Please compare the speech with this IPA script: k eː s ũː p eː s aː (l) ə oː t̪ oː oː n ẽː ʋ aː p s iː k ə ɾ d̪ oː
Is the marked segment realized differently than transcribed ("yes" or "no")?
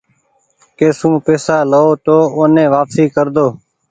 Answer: no